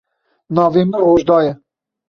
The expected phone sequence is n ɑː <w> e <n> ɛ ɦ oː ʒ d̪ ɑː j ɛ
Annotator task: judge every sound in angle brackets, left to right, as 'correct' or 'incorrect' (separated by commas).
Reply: incorrect, incorrect